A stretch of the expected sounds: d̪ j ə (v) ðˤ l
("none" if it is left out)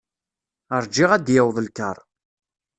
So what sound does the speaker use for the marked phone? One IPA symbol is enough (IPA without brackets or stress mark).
w